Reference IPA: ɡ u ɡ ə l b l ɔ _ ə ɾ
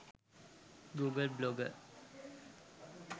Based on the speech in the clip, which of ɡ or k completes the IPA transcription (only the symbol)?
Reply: ɡ